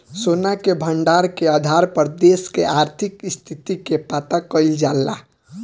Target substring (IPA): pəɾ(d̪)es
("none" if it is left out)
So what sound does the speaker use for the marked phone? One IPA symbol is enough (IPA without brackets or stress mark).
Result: d̪